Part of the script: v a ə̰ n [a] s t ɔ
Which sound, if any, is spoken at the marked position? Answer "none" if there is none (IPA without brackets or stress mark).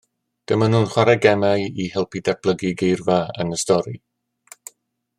ə